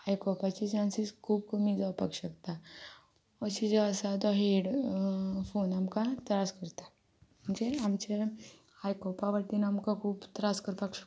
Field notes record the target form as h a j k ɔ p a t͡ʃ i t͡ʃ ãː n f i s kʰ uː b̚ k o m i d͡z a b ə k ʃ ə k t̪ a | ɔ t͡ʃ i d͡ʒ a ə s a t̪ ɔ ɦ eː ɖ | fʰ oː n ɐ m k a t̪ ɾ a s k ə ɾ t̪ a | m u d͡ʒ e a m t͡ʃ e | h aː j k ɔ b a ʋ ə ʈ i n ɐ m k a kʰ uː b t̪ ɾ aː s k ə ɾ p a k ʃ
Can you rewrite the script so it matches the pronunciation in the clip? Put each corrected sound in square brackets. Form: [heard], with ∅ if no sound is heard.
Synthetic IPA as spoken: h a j k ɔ p a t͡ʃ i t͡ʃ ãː n [s] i s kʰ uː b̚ k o m i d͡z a [p] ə k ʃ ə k t̪ a | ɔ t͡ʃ i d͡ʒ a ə s a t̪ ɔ ɦ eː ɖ | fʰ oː n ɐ m k a t̪ ɾ a s k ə ɾ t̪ a | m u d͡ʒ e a m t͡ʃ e | h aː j k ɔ [p] a ʋ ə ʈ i n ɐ m k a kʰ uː b t̪ ɾ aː s k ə ɾ p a k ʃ